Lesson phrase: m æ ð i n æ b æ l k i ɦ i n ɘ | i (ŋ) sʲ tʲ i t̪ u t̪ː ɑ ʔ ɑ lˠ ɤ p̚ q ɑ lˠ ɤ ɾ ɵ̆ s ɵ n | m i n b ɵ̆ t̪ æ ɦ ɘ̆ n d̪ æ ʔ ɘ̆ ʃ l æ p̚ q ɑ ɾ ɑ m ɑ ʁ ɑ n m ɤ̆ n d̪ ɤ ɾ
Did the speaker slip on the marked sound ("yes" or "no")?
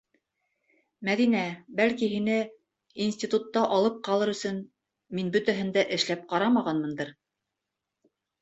yes